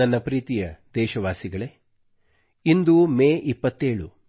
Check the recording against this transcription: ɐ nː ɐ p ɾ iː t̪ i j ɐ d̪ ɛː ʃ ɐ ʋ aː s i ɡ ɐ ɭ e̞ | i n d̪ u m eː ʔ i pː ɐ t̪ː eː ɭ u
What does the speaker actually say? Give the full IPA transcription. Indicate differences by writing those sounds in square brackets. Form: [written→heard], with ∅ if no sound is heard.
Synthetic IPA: ɐ nː ɐ p ɾ iː t̪ i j ɐ d̪ ɛː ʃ ɐ ʋ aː s i ɡ ɐ ɭ e̞ | i n d̪ u m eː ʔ i pː ɐ t̪ː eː ɭ u

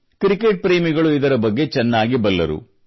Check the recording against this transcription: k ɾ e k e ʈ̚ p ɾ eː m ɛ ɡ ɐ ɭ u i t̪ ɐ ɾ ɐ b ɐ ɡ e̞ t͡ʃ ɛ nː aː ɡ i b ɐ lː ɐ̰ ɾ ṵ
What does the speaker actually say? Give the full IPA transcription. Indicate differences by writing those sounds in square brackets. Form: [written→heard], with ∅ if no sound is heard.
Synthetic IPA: k ɾ [e→i] k e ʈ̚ p ɾ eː m [ɛ→i] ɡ ɐ ɭ u i [t̪→d̪] ɐ ɾ ɐ b ɐ [ɡ→ɡː] e̞ t͡ʃ ɛ nː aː ɡ i b ɐ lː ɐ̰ ɾ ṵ

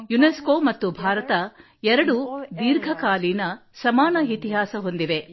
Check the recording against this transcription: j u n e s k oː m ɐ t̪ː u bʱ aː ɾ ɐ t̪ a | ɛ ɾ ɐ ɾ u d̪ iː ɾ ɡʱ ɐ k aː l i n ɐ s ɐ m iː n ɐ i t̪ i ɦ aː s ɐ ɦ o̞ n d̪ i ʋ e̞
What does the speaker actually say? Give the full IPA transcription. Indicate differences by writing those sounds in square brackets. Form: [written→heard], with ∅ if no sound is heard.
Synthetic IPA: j u n e s k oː m ɐ t̪ː u bʱ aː ɾ ɐ t̪ [a→ɐ] | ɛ ɾ ɐ [ɾ→ɽ] u d̪ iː ɾ ɡʱ ɐ k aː l i n ɐ s ɐ m [iː→aː] n ɐ i t̪ i ɦ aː s ɐ ɦ o̞ n d̪ i ʋ e̞

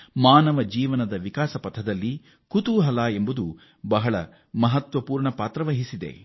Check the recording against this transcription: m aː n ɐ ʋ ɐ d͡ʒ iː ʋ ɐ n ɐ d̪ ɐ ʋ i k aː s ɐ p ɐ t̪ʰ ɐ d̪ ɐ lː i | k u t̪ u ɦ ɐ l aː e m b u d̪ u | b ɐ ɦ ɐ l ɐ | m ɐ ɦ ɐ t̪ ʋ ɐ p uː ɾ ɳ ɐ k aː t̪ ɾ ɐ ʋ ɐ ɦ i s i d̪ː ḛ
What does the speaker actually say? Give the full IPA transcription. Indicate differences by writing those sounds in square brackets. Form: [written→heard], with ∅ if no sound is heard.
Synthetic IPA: m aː n ɐ ʋ ɐ d͡ʒ iː ʋ ɐ n ɐ d̪ ɐ ʋ i k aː s ɐ p ɐ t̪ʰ ɐ d̪ ɐ lː i | k u t̪ u ɦ ɐ l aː e m b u d̪ u | b ɐ ɦ ɐ [l→ɭ] ɐ | m ɐ ɦ ɐ t̪ ʋ ɐ p uː ɾ ɳ ɐ [k→p] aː t̪ ɾ ɐ ʋ ɐ ɦ i s i [d̪ː→d̪] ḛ

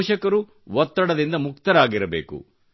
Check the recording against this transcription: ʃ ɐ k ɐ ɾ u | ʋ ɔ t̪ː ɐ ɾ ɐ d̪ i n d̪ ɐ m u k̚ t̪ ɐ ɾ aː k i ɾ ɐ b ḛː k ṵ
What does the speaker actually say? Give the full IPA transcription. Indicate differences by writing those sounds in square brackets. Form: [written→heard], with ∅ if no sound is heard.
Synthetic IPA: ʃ ɐ k ɐ ɾ u | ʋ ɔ t̪ː ɐ [ɾ→ɽ] ɐ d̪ i n d̪ ɐ m u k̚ t̪ ɐ ɾ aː [k→ɡ] i ɾ ɐ b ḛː k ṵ

